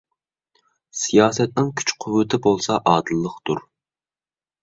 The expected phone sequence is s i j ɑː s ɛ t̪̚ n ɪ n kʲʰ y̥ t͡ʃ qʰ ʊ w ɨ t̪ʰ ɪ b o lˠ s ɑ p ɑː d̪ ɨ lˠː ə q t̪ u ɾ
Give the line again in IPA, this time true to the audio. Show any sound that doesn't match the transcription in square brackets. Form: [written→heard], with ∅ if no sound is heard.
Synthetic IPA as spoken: s i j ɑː s ɛ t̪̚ n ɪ [n→ŋ] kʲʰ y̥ t͡ʃ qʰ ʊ w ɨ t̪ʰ ɪ b o lˠ s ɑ [p→ʔ] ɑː d̪ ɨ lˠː ə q t̪ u ɾ